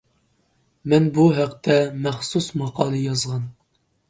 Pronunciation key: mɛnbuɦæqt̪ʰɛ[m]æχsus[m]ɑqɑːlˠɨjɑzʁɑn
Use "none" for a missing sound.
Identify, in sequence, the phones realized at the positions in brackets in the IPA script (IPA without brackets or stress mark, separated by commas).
m, m